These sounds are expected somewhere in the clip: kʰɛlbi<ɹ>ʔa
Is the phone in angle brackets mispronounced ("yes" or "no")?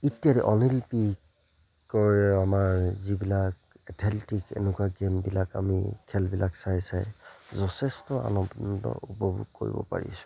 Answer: yes